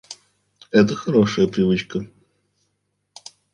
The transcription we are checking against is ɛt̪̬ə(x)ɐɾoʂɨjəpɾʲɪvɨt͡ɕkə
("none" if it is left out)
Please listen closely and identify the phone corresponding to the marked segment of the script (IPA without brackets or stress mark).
x